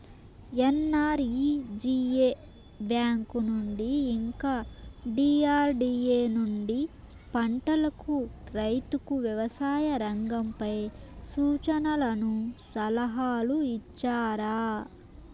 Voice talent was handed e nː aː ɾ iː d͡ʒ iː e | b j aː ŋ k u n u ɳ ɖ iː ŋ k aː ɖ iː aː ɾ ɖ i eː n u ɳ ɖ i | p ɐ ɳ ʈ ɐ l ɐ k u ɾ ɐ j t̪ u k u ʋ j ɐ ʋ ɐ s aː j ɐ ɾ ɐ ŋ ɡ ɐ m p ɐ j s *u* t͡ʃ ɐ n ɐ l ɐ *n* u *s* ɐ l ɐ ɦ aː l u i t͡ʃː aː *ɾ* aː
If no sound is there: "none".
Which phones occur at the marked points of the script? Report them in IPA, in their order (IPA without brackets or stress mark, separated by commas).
uː, n, s, ɾ